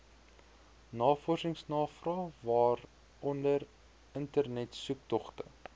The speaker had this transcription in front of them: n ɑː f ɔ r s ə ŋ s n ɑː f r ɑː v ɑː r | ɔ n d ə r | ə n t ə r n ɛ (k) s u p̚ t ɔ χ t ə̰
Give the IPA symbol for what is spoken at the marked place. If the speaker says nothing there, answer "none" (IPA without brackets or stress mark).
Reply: t